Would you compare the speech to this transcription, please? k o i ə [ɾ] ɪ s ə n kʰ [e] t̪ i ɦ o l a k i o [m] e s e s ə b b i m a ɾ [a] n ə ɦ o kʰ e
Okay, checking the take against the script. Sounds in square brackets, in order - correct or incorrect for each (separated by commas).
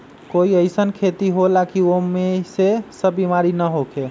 incorrect, correct, correct, incorrect